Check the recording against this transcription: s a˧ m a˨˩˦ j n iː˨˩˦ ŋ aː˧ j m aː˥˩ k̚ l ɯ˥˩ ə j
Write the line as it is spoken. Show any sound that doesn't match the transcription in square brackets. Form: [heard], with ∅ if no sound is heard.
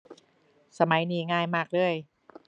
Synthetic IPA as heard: s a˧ m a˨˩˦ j n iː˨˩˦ ŋ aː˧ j m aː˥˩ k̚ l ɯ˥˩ ə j